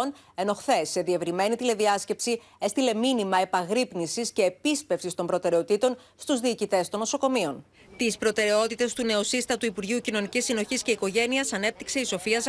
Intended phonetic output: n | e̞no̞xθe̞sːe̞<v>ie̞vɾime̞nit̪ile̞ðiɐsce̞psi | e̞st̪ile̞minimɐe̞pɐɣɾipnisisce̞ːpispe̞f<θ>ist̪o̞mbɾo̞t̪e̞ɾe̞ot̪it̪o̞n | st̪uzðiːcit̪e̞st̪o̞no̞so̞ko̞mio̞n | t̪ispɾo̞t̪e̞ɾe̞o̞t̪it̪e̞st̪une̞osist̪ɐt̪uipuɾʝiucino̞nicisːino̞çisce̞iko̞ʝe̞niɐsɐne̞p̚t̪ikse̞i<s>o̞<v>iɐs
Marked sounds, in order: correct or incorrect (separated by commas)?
incorrect, incorrect, correct, incorrect